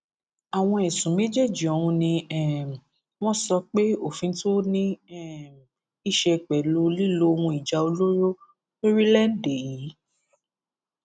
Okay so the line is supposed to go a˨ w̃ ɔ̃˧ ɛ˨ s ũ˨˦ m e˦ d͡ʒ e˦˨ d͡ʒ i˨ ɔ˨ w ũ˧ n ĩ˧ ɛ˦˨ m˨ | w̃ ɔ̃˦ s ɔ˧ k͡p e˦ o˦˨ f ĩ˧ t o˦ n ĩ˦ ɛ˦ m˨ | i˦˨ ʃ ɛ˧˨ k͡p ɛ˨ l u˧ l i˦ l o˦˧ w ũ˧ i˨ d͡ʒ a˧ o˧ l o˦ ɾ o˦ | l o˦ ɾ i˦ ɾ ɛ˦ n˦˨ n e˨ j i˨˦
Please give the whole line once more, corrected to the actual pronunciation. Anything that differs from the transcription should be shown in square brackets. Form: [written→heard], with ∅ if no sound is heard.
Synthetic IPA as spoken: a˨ w̃ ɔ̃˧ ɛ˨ s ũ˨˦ m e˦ d͡ʒ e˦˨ d͡ʒ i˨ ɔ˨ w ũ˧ n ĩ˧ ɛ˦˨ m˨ | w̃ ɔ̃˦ s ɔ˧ k͡p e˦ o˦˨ f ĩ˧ t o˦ n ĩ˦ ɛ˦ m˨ | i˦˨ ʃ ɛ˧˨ k͡p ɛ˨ l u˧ l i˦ l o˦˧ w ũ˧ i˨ d͡ʒ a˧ o˧ l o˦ ɾ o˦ | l o˦ ɾ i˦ [ɾ→l] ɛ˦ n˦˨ [n→d] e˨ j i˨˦